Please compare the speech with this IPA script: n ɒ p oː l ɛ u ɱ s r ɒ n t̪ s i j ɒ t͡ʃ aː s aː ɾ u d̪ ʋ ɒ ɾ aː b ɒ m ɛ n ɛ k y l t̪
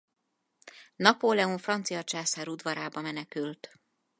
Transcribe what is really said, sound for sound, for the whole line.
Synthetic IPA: n ɒ p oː l ɛ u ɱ f r ɒ n t̪ s i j ɒ t͡ʃ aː s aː ɾ u d̪ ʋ ɒ ɾ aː b ɒ m ɛ n ɛ k y l t̪